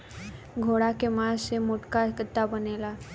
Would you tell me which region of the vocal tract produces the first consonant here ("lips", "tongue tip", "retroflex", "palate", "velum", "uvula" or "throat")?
velum